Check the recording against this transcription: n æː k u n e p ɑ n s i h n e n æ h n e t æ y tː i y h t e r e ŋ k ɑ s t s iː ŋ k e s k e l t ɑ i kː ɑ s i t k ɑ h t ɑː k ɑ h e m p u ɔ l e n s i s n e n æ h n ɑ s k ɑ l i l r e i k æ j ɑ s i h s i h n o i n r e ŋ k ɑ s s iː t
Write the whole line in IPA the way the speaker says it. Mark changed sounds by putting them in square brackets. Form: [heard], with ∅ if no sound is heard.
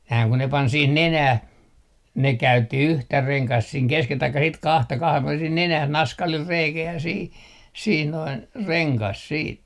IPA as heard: n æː k u n e p ɑ n s i h n e n æ h n e [k] æ y tː i y h t [æ] r e ŋ k ɑ s t s iː ŋ k e s k e l t ɑ i kː ɑ s i t k ɑ h t [ɑ] k ɑ h e m p u ɔ l e n s i [h] n e n æ h n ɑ s k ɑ l i l r e i k æ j ɑ s i h s i h n o i n r e ŋ k ɑ s s iː t